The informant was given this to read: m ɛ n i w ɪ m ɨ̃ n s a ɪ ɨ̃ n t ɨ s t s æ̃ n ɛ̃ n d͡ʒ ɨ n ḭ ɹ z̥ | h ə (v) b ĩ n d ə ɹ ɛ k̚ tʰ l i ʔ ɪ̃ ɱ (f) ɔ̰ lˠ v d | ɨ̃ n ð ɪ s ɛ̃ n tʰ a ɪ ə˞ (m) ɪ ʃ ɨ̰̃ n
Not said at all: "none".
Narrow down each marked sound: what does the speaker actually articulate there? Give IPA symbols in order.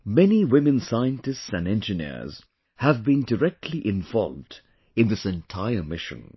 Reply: v, v, m

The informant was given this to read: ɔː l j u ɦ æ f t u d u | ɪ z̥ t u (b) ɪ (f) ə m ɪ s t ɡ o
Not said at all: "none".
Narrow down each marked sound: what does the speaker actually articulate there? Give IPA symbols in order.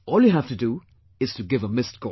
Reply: ɡ, v

